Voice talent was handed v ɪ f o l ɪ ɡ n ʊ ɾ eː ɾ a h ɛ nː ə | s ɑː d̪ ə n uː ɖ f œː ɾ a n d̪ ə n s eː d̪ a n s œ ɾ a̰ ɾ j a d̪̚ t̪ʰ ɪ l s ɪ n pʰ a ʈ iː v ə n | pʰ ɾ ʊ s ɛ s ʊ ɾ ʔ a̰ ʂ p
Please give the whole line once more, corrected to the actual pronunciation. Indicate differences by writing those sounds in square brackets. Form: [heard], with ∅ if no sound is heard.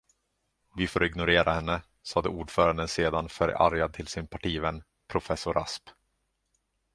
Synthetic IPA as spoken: v ɪ f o [ɾ] ɪ ɡ n ʊ ɾ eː ɾ a h ɛ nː ə | s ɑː d̪ ə [∅] uː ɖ f œː ɾ a n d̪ ə n s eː d̪ a n [f] œ ɾ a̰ ɾ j a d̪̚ t̪ʰ ɪ l s ɪ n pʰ a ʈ iː v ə n | pʰ ɾ ʊ [f] ɛ s ʊ ɾ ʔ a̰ [s] p

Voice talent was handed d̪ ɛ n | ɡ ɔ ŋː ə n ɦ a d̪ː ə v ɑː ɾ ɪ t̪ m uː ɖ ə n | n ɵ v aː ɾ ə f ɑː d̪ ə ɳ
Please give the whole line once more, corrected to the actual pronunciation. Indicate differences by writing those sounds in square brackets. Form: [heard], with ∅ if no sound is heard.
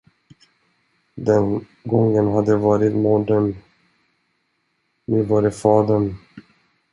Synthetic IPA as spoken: d̪ ɛ n | ɡ ɔ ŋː ə n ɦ a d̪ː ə v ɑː ɾ ɪ t̪ m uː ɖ ə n | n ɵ v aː ɾ ə f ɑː d̪ ə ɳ

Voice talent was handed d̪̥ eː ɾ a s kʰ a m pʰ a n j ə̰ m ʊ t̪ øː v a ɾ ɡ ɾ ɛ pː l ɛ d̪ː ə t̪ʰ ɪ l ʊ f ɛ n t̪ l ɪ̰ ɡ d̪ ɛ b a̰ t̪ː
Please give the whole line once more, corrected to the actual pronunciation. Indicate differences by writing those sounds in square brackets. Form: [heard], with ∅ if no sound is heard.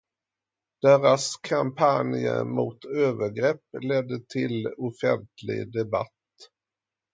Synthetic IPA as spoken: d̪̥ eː ɾ a s kʰ a m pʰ a n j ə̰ m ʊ t̪ øː v [ə] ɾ ɡ ɾ ɛ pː l ɛ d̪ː ə t̪ʰ ɪ l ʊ f ɛ n t̪ l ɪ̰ ɡ d̪ ɛ b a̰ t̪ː

